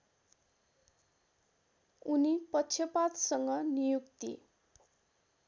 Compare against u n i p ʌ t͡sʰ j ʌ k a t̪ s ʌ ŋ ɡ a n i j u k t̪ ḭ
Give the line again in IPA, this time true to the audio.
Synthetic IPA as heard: u n i p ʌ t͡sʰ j ʌ p a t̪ s ʌ ŋ ɡ ʌ n i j u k t̪ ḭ